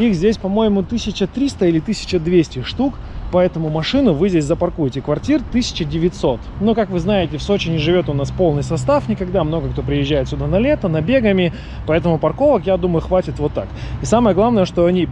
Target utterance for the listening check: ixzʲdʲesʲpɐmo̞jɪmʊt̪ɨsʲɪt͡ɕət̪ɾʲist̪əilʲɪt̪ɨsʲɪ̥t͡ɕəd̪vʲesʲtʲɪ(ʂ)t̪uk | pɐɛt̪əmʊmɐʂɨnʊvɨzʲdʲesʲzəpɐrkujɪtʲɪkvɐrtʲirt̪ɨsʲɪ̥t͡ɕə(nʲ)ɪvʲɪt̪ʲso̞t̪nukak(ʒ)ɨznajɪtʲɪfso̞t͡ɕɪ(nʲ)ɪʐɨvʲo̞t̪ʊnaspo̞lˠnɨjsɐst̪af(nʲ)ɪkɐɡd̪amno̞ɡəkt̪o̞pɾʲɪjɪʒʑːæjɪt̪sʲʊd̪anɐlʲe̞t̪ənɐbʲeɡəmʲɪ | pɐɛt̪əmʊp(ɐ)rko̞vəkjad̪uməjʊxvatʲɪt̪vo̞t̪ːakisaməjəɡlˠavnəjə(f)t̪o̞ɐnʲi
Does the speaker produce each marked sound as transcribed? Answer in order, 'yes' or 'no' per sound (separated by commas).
yes, no, no, yes, yes, yes, no